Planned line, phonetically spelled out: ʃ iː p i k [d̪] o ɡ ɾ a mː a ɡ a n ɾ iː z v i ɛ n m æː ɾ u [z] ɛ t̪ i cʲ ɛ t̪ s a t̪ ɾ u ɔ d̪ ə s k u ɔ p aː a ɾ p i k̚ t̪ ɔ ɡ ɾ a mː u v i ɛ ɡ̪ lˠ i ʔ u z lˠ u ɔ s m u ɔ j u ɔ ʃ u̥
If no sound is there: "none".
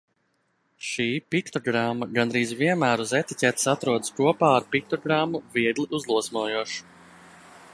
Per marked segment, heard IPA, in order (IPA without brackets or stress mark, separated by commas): t̪, z